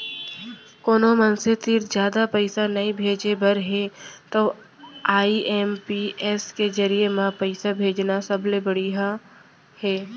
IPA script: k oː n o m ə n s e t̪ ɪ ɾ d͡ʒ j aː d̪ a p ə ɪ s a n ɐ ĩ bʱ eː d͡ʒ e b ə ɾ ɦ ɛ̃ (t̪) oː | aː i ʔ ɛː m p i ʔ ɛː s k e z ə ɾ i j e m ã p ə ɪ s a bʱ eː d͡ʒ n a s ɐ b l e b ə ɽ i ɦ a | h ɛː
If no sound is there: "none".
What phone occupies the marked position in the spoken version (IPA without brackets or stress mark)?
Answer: t̪